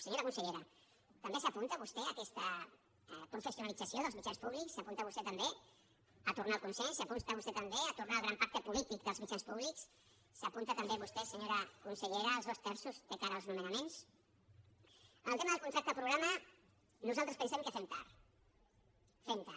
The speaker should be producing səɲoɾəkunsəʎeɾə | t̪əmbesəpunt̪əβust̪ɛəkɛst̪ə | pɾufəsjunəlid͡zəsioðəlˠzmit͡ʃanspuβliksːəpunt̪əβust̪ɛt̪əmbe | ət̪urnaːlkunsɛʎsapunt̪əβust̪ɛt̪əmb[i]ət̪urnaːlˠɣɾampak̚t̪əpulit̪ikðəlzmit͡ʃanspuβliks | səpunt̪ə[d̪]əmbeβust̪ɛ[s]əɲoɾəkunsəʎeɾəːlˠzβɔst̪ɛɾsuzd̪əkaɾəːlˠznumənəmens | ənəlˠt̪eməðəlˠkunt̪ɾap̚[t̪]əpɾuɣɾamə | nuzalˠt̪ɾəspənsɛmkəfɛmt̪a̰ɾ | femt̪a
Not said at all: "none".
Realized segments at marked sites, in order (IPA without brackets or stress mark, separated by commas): e, t̪, s, t̪